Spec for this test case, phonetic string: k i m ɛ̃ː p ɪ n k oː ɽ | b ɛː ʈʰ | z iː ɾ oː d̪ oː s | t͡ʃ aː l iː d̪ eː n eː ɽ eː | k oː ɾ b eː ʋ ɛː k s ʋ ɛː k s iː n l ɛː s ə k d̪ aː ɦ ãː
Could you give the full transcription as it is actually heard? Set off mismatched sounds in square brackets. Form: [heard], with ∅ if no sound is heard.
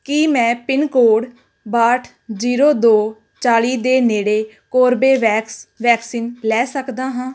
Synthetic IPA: k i m ɛ̃ː p ɪ n k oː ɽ | b [aː] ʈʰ | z iː ɾ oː d̪ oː [∅] | t͡ʃ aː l iː d̪ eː n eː ɽ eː | k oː ɾ b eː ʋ ɛː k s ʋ ɛː k s iː n l ɛː s ə k d̪ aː ɦ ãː

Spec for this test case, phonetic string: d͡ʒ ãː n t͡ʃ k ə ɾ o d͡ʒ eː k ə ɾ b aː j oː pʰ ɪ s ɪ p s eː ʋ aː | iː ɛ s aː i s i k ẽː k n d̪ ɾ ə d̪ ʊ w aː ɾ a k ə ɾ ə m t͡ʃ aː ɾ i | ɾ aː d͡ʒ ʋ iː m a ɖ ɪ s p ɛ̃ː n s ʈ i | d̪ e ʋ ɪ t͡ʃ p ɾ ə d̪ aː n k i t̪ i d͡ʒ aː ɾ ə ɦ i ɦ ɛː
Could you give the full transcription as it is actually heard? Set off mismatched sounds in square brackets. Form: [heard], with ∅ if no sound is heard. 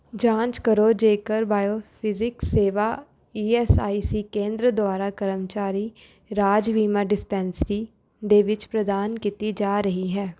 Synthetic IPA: d͡ʒ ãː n t͡ʃ k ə ɾ o d͡ʒ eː k ə ɾ b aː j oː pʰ ɪ [z] ɪ [k] s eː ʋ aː | iː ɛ s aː i s i k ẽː [∅] n d̪ ɾ ə d̪ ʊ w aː ɾ a k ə ɾ ə m t͡ʃ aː ɾ i | ɾ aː d͡ʒ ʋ iː m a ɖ ɪ s p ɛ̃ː n s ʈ i | d̪ e ʋ ɪ t͡ʃ p ɾ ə d̪ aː n k i t̪ i d͡ʒ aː ɾ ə ɦ i ɦ ɛː

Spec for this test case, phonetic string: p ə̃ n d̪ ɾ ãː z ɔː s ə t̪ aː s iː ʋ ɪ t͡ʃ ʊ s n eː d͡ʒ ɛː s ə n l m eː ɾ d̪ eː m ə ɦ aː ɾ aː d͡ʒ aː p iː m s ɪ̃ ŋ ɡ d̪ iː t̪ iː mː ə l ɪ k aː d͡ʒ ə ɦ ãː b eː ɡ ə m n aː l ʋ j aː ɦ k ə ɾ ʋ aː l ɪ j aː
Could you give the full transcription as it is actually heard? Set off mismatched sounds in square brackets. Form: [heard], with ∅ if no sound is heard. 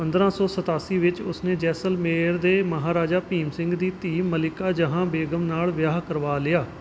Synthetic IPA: p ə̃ n d̪ ɾ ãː [s] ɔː s ə t̪ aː s iː ʋ ɪ t͡ʃ ʊ s n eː d͡ʒ ɛː s ə [∅] l m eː ɾ d̪ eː m ə ɦ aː ɾ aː d͡ʒ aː p iː m s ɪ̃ ŋ ɡ d̪ iː t̪ iː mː ə l ɪ k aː d͡ʒ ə ɦ ãː b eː ɡ ə m n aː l ʋ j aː ɦ k ə ɾ ʋ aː l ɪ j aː

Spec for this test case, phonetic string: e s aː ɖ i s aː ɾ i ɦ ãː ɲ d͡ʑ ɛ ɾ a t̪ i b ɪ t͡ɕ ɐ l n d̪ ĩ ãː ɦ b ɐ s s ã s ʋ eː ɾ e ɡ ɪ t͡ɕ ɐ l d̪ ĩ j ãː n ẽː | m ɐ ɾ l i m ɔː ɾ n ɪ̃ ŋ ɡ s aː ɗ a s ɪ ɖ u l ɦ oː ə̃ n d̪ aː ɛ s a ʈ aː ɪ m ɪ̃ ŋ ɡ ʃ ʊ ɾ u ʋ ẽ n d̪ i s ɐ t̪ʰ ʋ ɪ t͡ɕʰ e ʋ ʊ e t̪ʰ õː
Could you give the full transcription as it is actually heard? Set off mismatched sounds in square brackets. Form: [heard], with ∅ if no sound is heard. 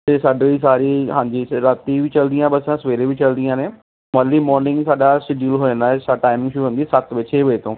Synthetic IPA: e s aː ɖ i s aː ɾ i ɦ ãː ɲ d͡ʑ [i] ɾ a t̪ i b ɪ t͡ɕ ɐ l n d̪ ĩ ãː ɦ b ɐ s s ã s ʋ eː ɾ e [b] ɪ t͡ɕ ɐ l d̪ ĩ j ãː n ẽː | m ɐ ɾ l i m ɔː ɾ n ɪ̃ ŋ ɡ s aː ɗ a s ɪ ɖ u l ɦ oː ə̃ n d̪ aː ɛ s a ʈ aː ɪ m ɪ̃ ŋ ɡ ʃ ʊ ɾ u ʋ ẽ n d̪ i s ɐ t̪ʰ ʋ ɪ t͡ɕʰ e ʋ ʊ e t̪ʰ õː

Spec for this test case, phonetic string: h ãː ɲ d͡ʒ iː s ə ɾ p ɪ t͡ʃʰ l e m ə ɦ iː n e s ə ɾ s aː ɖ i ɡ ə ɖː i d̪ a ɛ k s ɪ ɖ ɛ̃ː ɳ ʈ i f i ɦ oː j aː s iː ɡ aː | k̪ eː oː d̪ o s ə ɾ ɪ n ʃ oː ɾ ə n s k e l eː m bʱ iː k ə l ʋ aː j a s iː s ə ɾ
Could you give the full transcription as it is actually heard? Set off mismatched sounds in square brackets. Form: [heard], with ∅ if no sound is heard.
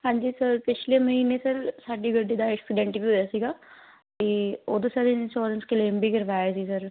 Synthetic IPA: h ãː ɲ d͡ʒ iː s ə ɾ p ɪ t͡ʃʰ l e m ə ɦ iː n e s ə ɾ s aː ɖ i ɡ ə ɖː i d̪ a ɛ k s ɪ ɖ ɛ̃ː ɳ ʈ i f i ɦ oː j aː s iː ɡ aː | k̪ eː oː d̪ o s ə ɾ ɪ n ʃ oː ɾ ə n s k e l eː m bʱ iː k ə [ɾ] ʋ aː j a s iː s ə ɾ

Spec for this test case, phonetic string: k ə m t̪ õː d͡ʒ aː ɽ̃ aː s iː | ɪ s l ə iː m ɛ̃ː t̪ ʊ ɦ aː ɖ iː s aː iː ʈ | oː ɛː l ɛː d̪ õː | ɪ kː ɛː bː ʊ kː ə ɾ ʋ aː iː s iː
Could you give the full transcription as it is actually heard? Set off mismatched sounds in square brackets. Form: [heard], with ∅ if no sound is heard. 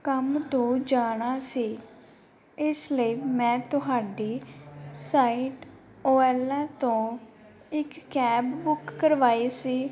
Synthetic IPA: k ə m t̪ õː d͡ʒ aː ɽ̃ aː s iː | ɪ s l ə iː m ɛ̃ː t̪ ʊ ɦ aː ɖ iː s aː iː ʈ | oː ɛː l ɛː [t̪] õː | ɪ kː ɛː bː ʊ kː ə ɾ ʋ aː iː s iː

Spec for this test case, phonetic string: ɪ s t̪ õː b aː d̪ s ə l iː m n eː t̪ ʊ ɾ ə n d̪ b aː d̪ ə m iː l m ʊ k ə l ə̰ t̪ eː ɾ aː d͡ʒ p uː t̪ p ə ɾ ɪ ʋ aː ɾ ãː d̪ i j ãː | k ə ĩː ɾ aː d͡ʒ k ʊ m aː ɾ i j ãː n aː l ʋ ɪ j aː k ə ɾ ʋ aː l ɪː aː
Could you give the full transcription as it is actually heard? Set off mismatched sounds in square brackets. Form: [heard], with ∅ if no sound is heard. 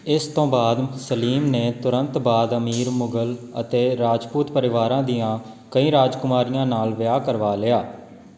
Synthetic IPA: ɪ s t̪ õː b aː d̪ s ə l iː m n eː t̪ ʊ ɾ ə n [t̪] b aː d̪ ə m iː [ɾ] m ʊ [ɡ] ə l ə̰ t̪ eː ɾ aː d͡ʒ p uː t̪ p ə ɾ ɪ ʋ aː ɾ ãː d̪ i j ãː | k ə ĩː ɾ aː d͡ʒ k ʊ m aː ɾ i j ãː n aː l ʋ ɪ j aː k ə ɾ ʋ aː l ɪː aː

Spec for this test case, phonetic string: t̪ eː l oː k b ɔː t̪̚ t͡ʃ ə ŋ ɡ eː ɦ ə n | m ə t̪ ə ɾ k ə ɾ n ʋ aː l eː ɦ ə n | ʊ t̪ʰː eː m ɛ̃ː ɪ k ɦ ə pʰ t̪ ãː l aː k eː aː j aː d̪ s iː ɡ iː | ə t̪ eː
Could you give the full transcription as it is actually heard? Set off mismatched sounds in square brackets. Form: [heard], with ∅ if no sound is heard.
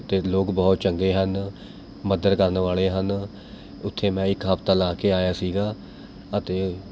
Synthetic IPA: t̪ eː l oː k b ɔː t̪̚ t͡ʃ ə ŋ ɡ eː ɦ ə n | m ə [d̪] ə ɾ k ə ɾ n ʋ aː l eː ɦ ə n | ʊ t̪ʰː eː m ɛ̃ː ɪ k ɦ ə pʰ t̪ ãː l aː k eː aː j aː [∅] s iː ɡ [aː] | ə t̪ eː

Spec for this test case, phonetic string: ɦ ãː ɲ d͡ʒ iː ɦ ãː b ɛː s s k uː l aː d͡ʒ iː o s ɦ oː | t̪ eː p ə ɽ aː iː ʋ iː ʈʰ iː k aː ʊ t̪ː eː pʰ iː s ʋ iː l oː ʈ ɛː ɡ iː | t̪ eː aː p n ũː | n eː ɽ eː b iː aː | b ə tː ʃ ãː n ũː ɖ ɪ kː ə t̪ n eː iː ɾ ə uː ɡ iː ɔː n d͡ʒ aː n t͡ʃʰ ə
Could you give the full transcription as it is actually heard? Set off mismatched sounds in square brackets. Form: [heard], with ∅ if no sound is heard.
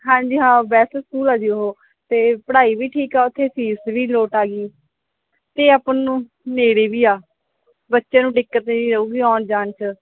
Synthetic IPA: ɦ ãː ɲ d͡ʒ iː ɦ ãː b ɛː s s k uː l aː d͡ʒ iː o [∅] ɦ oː | t̪ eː p ə ɽ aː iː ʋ iː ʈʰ iː k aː ʊ [t̪ʰː] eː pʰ iː s ʋ iː l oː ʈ [aː] ɡ iː | t̪ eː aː p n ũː | n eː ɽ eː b iː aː | b ə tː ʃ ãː n ũː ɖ ɪ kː ə t̪ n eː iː ɾ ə uː ɡ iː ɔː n d͡ʒ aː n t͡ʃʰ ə

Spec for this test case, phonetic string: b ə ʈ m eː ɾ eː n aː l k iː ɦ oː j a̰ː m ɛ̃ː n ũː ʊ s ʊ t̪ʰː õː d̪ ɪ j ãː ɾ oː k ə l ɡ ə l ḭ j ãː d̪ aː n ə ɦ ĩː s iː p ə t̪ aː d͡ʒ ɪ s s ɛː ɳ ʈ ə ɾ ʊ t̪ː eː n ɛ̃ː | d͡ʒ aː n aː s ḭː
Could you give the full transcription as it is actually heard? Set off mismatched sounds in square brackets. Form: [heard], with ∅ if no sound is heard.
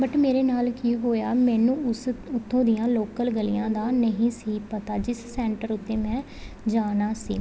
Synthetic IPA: b ə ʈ m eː ɾ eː n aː l k iː ɦ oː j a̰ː m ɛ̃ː n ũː ʊ s ʊ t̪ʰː õː d̪ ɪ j ãː [l] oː k ə l ɡ ə l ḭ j ãː d̪ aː n ə ɦ ĩː s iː p ə t̪ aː d͡ʒ ɪ s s ɛː ɳ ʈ ə ɾ ʊ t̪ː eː [m] ɛ̃ː | d͡ʒ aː n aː s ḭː

